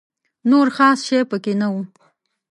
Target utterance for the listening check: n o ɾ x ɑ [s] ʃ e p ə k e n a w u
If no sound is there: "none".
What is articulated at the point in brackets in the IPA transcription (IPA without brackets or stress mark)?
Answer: s